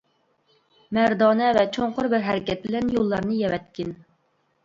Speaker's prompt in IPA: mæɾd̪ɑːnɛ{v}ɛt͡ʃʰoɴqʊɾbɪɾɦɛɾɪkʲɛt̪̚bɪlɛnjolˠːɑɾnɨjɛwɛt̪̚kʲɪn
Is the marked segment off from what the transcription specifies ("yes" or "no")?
no